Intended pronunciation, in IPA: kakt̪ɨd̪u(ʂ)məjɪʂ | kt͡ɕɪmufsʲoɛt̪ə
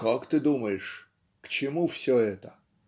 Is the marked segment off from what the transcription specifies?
yes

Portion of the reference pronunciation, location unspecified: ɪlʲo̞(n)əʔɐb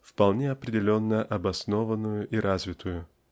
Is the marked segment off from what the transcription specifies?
yes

